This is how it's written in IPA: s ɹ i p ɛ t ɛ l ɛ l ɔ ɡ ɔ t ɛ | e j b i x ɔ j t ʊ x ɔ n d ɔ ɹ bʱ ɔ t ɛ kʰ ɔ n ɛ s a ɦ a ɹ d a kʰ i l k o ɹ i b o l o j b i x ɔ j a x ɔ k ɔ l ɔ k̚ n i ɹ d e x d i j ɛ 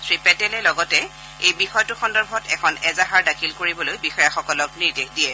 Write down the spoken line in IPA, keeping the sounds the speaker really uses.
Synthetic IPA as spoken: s ɹ i p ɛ t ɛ l ɛ l ɔ ɡ ɔ t ɛ | e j b i x ɔ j t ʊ x ɔ n d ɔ ɹ bʱ ɔ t ɛ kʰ ɔ n ɛ z a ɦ a ɹ d a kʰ i l k o ɹ i b ɔ l o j b i x ɔ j a x ɔ k ɔ l ɔ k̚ n i ɹ d e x d i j ɛ